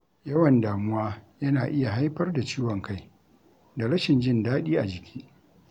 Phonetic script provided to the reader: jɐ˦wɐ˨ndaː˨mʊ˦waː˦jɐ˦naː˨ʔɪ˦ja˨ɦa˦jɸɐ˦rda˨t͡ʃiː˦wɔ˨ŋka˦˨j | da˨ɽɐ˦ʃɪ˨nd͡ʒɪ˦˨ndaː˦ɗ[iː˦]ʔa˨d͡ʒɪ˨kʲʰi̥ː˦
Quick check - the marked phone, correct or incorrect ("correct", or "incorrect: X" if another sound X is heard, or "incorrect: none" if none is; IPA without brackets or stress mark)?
correct